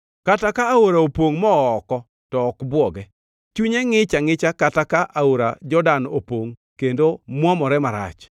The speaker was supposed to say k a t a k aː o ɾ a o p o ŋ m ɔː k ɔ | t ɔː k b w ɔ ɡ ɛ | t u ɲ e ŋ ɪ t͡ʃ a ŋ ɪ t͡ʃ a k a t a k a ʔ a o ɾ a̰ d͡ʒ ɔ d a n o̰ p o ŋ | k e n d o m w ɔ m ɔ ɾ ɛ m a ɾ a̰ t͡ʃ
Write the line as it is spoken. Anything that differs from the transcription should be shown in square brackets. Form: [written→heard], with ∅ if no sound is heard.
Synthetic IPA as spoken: k a t a k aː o ɾ a o p o ŋ m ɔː k ɔ | t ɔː k b w ɔ ɡ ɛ | [t→t͡ʃ] u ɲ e ŋ ɪ t͡ʃ a ŋ ɪ t͡ʃ a k a t a k a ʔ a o ɾ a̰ d͡ʒ ɔ d a n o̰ p o ŋ | k e n d o m w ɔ m ɔ ɾ ɛ m a ɾ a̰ t͡ʃ